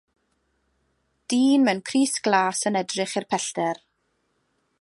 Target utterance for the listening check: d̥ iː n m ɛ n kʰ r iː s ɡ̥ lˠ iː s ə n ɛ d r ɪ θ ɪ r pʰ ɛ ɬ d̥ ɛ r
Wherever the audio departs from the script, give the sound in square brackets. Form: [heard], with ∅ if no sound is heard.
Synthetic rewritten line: d̥ iː n m ɛ n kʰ r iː s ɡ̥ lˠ [aː] s ə n ɛ d r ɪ [χ] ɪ r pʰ ɛ ɬ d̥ ɛ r